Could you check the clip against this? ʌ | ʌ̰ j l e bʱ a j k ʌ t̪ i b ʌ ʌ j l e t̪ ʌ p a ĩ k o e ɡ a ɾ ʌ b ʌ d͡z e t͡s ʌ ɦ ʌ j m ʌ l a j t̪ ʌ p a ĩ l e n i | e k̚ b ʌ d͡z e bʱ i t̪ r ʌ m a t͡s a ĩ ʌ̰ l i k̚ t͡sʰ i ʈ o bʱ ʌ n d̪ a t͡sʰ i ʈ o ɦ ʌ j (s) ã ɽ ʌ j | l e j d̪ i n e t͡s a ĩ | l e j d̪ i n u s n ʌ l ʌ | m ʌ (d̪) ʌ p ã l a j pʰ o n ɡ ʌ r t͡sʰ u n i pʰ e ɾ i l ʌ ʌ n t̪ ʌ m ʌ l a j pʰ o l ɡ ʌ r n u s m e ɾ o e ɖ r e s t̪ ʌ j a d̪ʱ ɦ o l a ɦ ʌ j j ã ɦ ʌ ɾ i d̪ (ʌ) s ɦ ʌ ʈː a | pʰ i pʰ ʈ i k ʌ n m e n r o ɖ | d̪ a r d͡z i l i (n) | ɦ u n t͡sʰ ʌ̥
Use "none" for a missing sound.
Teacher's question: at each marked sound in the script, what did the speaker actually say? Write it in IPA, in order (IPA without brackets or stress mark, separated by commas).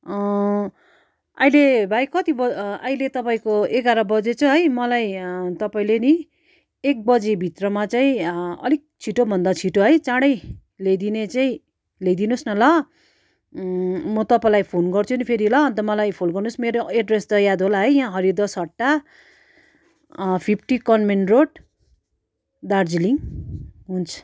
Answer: t͡s, t̪, ʌ, ŋ